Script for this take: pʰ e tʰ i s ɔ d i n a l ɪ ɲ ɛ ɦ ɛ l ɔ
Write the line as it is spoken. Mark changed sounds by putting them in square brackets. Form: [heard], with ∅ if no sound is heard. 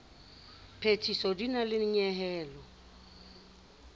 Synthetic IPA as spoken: pʰ e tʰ i s ɔ d i n a l ɪ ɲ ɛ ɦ [ɛː] l ɔ